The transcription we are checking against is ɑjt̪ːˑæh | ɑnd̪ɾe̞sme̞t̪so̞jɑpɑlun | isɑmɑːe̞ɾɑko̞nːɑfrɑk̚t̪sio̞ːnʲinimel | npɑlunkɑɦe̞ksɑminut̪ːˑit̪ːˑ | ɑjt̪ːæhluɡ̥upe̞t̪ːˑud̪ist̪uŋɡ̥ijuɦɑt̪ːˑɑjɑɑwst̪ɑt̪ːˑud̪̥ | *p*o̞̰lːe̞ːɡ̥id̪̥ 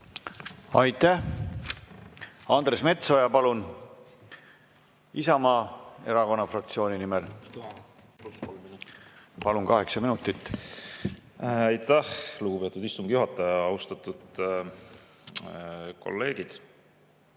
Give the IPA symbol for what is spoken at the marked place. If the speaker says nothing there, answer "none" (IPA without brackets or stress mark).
k